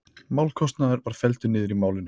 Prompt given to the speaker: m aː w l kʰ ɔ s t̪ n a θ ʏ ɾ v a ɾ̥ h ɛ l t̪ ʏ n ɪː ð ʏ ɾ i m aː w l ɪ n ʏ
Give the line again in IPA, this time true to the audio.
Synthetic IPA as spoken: m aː w l kʰ ɔ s t̪ n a ð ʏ ɾ v a ɾ̥ f ɛ l t̪ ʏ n ɪː ð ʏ ɾ i m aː w l ɪ n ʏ